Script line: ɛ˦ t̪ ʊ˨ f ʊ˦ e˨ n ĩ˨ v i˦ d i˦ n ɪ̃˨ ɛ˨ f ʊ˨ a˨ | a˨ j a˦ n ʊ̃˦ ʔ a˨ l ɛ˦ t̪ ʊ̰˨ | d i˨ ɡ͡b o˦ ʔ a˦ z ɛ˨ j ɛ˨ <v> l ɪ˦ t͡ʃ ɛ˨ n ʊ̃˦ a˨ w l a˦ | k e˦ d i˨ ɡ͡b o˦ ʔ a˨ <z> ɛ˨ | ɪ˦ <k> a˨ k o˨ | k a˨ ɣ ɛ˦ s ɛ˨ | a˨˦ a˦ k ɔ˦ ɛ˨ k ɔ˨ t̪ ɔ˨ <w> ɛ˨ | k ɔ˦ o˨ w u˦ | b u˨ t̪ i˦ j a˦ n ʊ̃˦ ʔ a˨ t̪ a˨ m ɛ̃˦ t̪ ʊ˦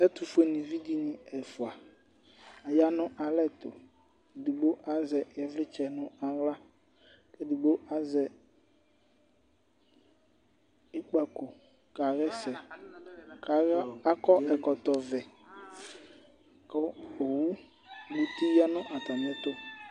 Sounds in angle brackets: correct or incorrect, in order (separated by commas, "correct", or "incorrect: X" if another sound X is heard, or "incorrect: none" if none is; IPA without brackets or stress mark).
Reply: correct, correct, incorrect: k͡p, incorrect: v